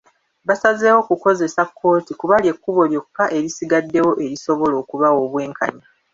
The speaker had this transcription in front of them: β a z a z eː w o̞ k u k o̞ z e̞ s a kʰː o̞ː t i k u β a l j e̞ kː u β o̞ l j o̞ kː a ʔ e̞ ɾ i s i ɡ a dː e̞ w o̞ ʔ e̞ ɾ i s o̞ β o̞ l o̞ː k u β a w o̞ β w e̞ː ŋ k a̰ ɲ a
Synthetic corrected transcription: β a s a z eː w o̞ k u k o̞ z e̞ s a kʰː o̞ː t i k u β a l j e̞ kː u β o̞ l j o̞ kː a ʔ e̞ ɾ i s i ɡ a dː e̞ w o̞ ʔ e̞ ɾ i s o̞ β o̞ l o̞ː k u β a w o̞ β w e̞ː ŋ k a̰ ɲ a